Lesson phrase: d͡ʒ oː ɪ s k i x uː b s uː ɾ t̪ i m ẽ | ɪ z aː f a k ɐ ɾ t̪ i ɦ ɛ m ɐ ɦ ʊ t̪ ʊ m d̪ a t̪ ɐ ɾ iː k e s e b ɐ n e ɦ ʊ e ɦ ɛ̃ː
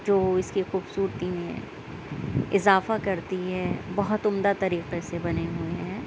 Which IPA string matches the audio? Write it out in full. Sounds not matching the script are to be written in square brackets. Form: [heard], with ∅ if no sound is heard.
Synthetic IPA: d͡ʒ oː ɪ s k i x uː b s uː ɾ t̪ i m ẽ | ɪ z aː f a k ɐ ɾ t̪ i ɦ ɛ [b] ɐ ɦ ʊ t̪ ʊ m d̪ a t̪ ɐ ɾ iː [q] e s e b ɐ n e ɦ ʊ e ɦ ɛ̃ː